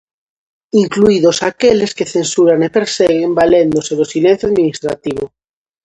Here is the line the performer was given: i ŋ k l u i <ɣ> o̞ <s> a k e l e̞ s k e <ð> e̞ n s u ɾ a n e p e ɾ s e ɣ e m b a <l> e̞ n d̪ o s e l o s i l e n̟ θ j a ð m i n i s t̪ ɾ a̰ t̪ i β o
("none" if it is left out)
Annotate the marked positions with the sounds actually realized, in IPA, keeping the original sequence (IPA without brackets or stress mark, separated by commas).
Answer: ð, s, θ, l